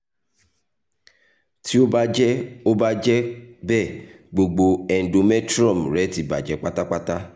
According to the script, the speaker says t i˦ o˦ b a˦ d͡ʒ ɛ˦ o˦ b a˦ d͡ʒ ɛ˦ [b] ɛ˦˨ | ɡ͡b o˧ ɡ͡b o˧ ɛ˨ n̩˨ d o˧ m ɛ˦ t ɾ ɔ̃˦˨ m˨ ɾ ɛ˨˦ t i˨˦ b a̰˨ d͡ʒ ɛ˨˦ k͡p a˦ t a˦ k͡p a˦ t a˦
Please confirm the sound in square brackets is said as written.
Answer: yes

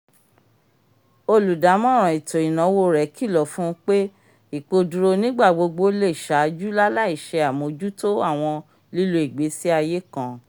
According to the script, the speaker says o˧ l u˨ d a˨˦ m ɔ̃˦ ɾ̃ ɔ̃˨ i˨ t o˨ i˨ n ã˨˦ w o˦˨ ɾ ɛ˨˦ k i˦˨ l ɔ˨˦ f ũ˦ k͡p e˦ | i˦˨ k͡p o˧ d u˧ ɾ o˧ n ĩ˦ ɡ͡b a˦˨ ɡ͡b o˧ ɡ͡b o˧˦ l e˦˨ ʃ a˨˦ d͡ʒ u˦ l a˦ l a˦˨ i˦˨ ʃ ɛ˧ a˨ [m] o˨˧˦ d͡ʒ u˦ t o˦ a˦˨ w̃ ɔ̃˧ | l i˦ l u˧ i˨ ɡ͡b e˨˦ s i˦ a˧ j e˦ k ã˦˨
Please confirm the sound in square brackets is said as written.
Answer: yes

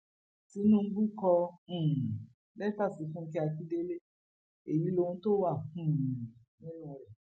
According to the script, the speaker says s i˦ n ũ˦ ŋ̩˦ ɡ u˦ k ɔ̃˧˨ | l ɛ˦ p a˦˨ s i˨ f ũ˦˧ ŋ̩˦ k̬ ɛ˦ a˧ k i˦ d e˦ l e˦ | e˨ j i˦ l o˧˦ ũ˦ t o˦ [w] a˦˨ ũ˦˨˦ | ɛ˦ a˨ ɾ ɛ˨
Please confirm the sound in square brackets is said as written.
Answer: yes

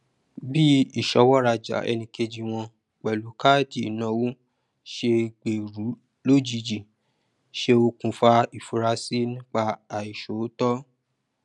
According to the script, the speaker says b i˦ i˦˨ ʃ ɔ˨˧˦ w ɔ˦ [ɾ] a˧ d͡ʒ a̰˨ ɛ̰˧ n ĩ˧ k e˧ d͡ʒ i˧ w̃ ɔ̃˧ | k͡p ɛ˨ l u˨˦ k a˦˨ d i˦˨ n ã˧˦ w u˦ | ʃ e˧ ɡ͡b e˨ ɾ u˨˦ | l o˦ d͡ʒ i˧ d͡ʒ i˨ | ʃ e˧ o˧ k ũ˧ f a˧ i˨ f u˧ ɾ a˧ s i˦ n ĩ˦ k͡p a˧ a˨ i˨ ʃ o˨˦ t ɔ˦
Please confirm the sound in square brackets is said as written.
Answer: yes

